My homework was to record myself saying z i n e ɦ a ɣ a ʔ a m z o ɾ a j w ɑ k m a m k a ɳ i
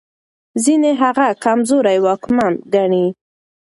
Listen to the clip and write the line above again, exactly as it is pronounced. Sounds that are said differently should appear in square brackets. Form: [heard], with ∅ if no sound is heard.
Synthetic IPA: z i n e ɦ a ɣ a [k] a m z o ɾ a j w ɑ k m a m [ɡ] a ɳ i